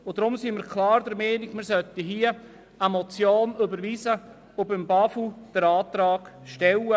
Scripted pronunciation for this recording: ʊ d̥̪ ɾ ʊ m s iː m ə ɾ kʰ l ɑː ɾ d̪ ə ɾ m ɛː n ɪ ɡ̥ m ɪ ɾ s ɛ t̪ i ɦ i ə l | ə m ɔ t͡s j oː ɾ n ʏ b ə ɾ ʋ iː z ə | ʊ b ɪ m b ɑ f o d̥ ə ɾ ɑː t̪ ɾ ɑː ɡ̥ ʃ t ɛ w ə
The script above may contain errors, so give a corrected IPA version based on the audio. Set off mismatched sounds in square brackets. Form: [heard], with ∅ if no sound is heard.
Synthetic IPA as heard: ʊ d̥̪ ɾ ʊ m s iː m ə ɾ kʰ l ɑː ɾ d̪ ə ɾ m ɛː n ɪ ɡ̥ m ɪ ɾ s [œ] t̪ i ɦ i ə [∅] | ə m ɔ t͡s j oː [∅] n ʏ b ə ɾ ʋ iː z ə | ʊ b ɪ m b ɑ f [u] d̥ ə ɾ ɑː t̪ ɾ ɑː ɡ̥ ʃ t ɛ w ə